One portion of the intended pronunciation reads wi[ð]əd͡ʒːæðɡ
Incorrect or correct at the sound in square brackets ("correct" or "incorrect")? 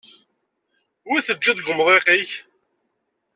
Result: incorrect